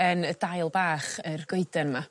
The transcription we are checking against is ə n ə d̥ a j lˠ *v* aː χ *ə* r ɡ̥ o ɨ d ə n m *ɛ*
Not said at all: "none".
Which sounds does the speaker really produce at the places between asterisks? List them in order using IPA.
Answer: b, ə, a

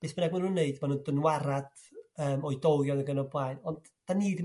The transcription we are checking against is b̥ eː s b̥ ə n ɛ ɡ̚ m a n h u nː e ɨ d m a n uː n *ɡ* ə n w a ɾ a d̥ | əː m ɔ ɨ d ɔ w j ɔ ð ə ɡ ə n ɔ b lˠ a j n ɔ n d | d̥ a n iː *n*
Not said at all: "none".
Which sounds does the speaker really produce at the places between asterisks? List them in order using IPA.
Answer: d, d

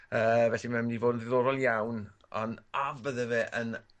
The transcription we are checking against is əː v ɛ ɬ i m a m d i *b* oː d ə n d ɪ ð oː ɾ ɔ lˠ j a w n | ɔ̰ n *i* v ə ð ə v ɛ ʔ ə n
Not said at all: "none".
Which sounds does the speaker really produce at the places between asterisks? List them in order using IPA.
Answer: v, a

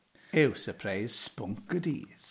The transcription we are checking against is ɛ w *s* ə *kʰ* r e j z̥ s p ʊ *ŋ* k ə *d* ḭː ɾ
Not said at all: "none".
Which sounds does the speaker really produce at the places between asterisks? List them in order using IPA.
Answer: s, pʰ, ŋ, d

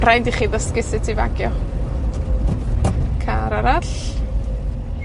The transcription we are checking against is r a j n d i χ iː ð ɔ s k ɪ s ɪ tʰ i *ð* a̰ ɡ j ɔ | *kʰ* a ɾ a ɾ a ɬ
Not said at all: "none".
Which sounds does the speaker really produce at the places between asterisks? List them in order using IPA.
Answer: v, kʰ

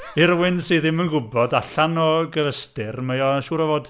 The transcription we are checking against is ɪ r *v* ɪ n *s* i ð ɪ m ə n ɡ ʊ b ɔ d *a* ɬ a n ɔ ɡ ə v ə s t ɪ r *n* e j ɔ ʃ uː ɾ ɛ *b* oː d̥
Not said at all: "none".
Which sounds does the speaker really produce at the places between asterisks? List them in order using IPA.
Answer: w, s, a, m, v

